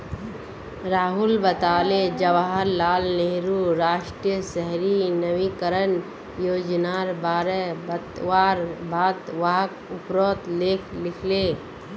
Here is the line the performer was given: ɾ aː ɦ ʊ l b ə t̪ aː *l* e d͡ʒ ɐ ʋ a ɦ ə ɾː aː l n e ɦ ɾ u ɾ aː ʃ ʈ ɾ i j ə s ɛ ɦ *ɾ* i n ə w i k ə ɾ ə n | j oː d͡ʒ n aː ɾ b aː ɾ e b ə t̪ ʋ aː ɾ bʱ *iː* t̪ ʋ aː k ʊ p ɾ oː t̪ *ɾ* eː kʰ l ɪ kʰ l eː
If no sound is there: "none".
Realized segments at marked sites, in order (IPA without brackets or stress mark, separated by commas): l, ɾ, aː, l